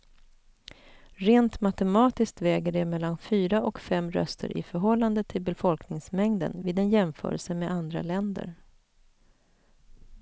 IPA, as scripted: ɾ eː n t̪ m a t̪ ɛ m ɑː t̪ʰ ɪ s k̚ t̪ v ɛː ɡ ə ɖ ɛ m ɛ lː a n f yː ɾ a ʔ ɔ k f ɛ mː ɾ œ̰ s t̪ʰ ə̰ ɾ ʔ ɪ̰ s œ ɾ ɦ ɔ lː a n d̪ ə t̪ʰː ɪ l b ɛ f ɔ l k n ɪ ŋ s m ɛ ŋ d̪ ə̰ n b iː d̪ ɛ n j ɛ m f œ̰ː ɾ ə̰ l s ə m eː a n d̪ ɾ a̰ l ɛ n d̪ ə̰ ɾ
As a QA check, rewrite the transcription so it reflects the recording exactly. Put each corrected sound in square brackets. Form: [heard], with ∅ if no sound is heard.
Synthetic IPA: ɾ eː n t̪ m a t̪ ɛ m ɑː [t̪] ɪ s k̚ t̪ v ɛː ɡ ə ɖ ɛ m ɛ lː a n f yː ɾ a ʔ ɔ k f ɛ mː ɾ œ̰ s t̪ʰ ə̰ ɾ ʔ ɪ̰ [f] œ ɾ ɦ ɔ lː a n d̪ ə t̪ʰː ɪ l b ɛ f ɔ l k n ɪ ŋ s m ɛ ŋ d̪ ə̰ n [v] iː d̪ ɛ n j ɛ m f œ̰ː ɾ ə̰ l s ə m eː a n d̪ ɾ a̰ l ɛ n d̪ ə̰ ɾ